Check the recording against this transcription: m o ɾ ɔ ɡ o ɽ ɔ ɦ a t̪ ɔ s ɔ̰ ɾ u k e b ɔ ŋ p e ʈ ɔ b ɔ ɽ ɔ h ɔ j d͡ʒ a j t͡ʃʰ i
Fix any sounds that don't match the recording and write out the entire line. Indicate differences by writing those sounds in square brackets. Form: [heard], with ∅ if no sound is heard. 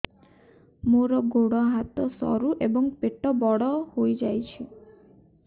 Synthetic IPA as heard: m o ɾ ɔ ɡ o ɽ ɔ ɦ a t̪ ɔ s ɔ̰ ɾ u [ʔ] e b ɔ ŋ p e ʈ ɔ b ɔ ɽ ɔ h [o] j d͡ʒ a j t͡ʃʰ i